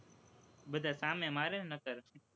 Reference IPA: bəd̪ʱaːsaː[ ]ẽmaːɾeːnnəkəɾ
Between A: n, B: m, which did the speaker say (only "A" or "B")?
B